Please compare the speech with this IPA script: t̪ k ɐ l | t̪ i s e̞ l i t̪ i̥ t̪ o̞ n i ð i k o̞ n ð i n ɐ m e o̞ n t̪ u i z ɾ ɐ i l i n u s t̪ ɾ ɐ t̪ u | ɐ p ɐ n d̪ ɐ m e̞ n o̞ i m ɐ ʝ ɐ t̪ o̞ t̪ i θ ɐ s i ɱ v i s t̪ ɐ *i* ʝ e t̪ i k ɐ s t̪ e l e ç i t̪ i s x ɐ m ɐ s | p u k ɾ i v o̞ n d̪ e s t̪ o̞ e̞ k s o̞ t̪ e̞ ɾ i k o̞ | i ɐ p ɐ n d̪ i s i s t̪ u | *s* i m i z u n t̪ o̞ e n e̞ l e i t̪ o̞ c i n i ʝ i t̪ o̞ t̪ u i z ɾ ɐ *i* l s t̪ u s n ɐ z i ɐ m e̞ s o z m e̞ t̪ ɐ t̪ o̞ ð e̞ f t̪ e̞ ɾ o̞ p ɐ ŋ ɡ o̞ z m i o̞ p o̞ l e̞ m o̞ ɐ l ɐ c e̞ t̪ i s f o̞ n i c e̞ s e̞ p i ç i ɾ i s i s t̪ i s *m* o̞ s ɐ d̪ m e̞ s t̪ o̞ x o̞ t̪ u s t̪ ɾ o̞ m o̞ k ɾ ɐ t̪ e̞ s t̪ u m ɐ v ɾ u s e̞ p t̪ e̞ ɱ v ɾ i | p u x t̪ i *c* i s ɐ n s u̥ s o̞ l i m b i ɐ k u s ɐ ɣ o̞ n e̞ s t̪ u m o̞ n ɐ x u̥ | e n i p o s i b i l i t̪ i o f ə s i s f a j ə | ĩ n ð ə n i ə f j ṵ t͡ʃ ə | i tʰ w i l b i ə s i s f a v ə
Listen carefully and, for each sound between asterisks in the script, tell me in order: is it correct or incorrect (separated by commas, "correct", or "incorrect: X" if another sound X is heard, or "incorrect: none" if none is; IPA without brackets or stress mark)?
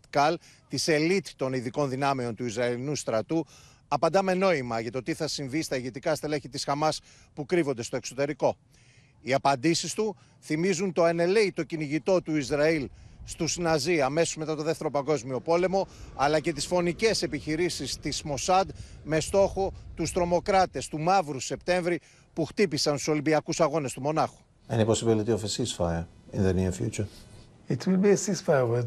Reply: correct, incorrect: θ, correct, correct, incorrect: p